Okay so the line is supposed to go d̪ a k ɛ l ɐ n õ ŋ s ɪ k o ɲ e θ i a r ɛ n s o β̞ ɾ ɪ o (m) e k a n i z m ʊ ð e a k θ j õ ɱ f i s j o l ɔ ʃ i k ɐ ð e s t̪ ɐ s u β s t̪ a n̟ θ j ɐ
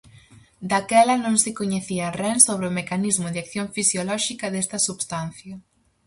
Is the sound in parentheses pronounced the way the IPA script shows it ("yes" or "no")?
yes